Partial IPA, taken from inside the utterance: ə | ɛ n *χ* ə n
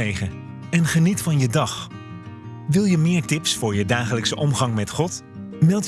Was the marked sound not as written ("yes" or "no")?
no